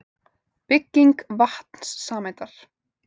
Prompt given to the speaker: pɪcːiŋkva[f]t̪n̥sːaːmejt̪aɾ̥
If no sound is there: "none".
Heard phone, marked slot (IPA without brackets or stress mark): h